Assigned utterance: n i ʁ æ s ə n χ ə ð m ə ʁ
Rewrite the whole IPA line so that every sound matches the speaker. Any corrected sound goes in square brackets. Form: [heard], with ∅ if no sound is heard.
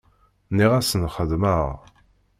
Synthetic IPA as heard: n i ʁ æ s ə n χ ə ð m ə ʁ